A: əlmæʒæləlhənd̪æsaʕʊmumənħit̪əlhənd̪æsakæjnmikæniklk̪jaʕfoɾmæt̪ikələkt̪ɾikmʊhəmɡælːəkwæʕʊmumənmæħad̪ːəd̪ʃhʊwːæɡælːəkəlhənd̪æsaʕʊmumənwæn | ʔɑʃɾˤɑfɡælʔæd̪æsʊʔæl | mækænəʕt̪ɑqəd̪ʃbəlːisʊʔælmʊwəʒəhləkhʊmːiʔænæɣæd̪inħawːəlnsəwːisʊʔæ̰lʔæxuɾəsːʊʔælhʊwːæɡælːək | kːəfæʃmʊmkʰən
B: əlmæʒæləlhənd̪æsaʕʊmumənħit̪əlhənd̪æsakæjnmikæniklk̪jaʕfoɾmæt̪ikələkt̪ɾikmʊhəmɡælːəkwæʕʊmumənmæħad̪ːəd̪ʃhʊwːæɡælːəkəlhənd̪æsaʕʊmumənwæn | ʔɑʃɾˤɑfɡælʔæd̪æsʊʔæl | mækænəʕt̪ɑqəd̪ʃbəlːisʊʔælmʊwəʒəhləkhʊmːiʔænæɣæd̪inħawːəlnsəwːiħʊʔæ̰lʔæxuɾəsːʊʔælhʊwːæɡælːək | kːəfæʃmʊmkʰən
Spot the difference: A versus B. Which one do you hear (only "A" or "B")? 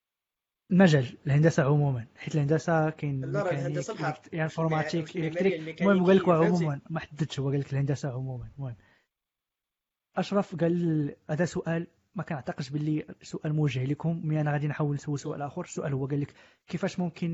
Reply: A